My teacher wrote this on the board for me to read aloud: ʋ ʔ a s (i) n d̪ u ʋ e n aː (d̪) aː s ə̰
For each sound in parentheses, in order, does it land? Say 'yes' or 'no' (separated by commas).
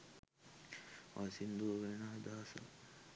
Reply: yes, yes